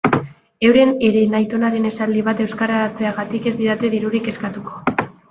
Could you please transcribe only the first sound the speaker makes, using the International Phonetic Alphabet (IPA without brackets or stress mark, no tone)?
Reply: e̞